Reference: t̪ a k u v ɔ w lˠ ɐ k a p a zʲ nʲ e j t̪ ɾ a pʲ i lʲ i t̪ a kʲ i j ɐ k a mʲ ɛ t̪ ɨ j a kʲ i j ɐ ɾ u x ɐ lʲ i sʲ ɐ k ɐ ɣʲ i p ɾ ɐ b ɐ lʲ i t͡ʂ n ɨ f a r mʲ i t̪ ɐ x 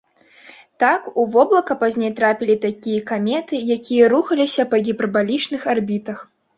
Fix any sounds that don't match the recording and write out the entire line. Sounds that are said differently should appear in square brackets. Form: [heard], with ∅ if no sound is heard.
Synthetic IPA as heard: t̪ a k u v ɔ [b] lˠ ɐ k [ɐ] p a zʲ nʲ e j t̪ ɾ a pʲ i lʲ i t̪ a kʲ i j ɐ k a mʲ ɛ t̪ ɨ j a kʲ i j ɐ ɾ u x ɐ lʲ i sʲ ɐ [p] ɐ ɣʲ i p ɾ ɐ b [a] lʲ i t͡ʂ n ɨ [x] a r [bʲ] i t̪ ɐ x